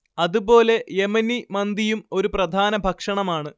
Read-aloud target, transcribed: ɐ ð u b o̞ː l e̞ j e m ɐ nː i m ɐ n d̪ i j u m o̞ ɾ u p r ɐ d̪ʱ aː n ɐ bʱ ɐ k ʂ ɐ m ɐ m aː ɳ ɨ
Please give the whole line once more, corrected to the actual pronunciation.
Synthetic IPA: ɐ ð u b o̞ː l e̞ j e m ɐ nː i m ɐ n d̪ i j u m o̞ ɾ u p r ɐ d̪ʱ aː n ɐ bʱ ɐ k ʂ ɐ ɳ ɐ m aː ɳ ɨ